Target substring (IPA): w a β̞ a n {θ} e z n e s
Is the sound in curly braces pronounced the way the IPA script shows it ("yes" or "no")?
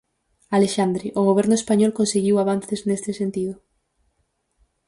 yes